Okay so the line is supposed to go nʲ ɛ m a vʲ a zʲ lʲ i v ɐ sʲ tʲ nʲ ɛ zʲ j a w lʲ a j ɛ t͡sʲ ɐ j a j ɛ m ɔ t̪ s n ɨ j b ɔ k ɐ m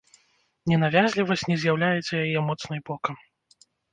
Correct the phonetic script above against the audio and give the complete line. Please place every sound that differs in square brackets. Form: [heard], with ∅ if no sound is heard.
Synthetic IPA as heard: nʲ ɛ [n] a vʲ a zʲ lʲ i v ɐ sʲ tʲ nʲ ɛ zʲ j a w lʲ a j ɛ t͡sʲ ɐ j a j ɛ m ɔ t̪ s n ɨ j b ɔ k ɐ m